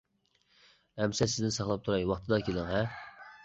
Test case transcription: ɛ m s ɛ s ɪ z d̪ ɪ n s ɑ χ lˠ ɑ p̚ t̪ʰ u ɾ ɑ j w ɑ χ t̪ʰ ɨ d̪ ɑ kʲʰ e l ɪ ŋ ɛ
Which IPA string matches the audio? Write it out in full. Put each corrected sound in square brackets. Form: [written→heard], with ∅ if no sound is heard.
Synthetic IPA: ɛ m s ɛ s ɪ z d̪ ɪ n s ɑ χ lˠ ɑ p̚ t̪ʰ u ɾ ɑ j w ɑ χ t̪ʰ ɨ d̪ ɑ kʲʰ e l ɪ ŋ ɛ

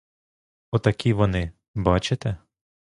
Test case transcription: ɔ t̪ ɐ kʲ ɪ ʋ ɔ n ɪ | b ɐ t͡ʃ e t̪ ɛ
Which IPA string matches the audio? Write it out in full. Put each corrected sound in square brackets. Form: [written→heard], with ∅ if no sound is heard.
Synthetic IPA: ɔ t̪ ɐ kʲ [ɪ→i] ʋ ɔ n ɪ | b [ɐ→ɑ] t͡ʃ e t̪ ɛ

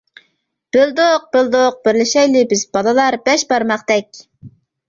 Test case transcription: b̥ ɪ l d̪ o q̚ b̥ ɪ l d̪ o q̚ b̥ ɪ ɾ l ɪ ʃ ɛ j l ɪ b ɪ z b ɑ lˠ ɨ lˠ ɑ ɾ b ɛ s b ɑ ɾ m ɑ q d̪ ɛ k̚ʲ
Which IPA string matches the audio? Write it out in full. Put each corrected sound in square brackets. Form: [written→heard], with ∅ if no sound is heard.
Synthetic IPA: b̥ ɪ l d̪ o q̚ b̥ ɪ l d̪ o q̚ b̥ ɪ ɾ l ɪ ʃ ɛ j l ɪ b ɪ z b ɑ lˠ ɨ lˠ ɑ ɾ b ɛ [s→ʃ] b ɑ ɾ m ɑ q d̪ ɛ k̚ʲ

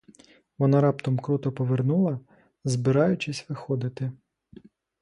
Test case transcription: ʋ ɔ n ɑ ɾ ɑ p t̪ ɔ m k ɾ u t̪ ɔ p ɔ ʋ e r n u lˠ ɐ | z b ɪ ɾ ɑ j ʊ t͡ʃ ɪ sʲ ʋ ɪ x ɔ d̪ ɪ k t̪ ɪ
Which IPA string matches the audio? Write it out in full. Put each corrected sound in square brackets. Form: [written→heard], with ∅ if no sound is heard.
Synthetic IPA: ʋ ɔ n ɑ ɾ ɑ p t̪ ɔ m k ɾ u t̪ ɔ p ɔ ʋ e r n u lˠ ɐ | z b ɪ ɾ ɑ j ʊ t͡ʃ ɪ sʲ ʋ ɪ x ɔ d̪ ɪ [k→∅] t̪ ɪ

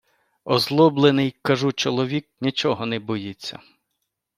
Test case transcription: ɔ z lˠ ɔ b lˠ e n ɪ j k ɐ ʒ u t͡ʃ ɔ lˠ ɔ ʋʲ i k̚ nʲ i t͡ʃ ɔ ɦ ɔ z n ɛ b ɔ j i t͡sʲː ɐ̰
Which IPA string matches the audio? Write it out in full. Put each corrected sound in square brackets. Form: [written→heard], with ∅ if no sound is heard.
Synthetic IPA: ɔ z lˠ ɔ b lˠ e n ɪ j k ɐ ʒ u t͡ʃ ɔ lˠ ɔ ʋʲ i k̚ nʲ i t͡ʃ ɔ ɦ ɔ [z→∅] n ɛ b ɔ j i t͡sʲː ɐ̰

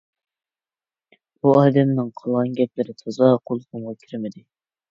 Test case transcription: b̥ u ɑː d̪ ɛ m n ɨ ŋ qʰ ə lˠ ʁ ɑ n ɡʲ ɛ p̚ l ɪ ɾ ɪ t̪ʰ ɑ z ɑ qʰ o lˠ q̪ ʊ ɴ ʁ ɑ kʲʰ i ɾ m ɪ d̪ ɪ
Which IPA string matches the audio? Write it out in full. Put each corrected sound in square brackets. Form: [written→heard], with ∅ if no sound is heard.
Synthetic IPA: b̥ u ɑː d̪ ɛ m n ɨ ŋ qʰ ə lˠ ʁ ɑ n ɡʲ ɛ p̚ l ɪ ɾ ɪ t̪ʰ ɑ z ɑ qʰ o lˠ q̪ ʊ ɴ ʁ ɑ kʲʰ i ɾ m ɪ d̪ ɪ

